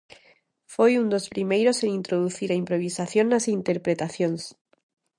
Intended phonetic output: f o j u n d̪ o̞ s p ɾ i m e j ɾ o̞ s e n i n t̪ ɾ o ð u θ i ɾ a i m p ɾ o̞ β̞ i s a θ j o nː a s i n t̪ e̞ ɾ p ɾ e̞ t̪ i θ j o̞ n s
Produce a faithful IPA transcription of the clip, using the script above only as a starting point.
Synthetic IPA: f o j u n d̪ o̞ s p ɾ i m e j ɾ o̞ s e n i n t̪ ɾ o ð u θ i ɾ a i m p ɾ o̞ β̞ i s a θ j o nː a s i n t̪ e̞ ɾ p ɾ e̞ t̪ a θ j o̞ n s